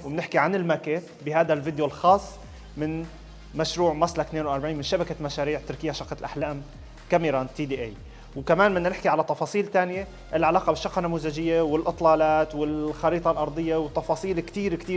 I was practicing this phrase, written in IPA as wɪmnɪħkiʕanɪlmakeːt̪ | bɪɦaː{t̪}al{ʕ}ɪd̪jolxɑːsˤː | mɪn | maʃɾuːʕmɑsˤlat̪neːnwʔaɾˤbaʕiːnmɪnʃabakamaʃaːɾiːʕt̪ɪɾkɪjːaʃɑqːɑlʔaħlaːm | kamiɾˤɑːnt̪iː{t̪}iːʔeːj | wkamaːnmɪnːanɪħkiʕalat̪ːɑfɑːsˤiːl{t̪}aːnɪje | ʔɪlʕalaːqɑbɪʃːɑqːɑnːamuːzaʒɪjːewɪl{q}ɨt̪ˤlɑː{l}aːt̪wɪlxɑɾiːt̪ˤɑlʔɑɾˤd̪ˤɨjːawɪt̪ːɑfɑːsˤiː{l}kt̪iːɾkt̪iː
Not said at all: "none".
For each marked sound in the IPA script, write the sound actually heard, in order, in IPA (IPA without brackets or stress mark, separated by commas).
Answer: d̪, v, d̪, t̪, ʔ, l, l